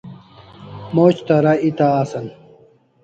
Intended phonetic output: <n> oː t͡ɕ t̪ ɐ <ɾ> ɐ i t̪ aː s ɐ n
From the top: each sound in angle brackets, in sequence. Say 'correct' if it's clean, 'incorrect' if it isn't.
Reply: incorrect: m, correct

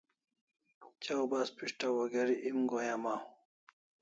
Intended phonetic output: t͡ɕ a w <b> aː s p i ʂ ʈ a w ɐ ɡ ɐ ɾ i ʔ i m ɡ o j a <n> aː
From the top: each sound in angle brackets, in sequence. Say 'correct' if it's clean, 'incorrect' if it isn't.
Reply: correct, incorrect: m

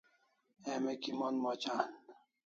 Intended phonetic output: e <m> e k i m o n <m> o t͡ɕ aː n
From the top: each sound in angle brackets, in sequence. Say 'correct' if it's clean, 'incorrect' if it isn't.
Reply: correct, correct

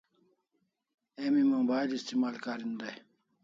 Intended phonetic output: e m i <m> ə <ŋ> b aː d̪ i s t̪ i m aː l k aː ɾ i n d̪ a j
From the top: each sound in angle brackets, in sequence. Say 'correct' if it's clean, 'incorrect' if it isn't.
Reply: correct, correct

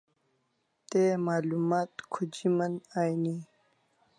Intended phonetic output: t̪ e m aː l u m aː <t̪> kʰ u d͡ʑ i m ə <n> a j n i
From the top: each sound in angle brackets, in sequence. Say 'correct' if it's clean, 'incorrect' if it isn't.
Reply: correct, correct

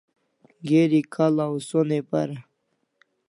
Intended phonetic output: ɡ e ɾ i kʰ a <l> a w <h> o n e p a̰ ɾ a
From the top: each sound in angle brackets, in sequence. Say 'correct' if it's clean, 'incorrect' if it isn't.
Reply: correct, incorrect: s

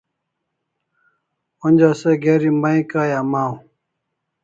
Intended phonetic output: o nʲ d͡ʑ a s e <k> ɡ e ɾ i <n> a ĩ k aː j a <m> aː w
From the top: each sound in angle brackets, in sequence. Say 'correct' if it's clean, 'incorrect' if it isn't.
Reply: incorrect: none, incorrect: m, correct

